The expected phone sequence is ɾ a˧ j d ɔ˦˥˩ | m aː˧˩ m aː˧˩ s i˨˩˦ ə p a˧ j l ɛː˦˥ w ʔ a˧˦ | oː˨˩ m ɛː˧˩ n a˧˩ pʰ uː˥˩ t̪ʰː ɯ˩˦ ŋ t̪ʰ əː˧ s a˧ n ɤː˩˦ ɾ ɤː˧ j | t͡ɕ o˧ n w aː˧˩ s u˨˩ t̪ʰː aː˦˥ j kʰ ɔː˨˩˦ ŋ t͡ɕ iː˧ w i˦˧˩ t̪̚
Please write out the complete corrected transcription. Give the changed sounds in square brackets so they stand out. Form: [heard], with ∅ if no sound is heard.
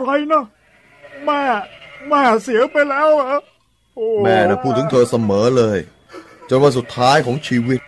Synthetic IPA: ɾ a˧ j [n] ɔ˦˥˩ | m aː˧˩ m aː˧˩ s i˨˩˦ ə p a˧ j l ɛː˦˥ w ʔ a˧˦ | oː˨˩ m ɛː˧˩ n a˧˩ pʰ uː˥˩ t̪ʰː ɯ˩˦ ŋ t̪ʰ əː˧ s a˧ [m] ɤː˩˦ [l] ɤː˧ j | t͡ɕ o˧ n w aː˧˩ s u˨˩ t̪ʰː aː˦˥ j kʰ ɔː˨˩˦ ŋ [t͡ɕʰ] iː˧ w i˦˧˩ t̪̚